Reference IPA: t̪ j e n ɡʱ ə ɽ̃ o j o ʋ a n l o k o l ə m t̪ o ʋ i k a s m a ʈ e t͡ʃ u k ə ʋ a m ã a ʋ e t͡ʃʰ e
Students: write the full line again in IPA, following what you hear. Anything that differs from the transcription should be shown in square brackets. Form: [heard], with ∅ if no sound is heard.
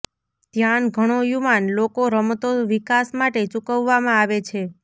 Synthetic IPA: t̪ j [a] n ɡʱ ə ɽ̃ o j [u] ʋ a n l o k o [ɾ] ə m t̪ o ʋ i k a s m a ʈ e t͡ʃ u k ə [ʋː] a m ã a ʋ e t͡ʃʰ e